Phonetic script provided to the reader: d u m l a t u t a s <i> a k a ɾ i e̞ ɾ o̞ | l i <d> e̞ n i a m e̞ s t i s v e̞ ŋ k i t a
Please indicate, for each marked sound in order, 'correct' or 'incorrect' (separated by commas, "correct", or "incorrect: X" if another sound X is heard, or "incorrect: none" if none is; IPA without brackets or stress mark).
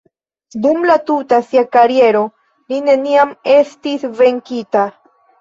correct, incorrect: n